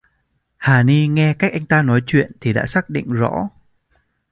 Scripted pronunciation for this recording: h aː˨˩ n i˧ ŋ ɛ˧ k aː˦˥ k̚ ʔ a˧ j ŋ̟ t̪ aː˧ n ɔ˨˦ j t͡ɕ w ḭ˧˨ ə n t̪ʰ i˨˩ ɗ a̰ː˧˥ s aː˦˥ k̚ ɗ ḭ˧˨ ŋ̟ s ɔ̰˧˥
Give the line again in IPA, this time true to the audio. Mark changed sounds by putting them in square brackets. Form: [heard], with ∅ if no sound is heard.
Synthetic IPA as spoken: h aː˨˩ n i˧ ŋ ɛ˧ k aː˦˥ k̚ ʔ a˧ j ŋ̟ t̪ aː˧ n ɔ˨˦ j t͡ɕ w ḭ˧˨ ə n t̪ʰ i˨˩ ɗ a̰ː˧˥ s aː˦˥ k̚ ɗ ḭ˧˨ ŋ̟ [z] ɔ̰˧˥